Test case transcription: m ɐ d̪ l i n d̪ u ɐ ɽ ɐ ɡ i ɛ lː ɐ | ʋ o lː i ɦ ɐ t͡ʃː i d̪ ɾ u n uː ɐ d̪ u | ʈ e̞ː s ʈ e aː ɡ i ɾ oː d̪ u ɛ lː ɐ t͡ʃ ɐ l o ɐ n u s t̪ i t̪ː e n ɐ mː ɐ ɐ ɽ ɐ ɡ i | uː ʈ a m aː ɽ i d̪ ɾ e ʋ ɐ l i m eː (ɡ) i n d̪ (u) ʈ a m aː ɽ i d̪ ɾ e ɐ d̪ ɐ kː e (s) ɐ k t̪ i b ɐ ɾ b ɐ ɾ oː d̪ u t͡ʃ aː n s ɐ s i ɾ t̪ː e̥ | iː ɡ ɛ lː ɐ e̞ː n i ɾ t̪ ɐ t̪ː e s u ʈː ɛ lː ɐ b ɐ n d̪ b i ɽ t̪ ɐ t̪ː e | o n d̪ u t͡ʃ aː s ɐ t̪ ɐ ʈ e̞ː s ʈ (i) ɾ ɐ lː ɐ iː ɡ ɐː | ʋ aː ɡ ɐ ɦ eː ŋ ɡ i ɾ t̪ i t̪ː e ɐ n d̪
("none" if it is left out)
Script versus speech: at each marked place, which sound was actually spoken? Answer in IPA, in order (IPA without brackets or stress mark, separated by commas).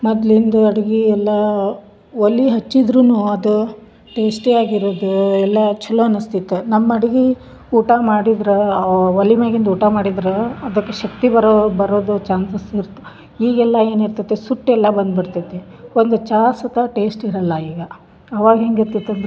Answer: ɡ, uː, ʃ, i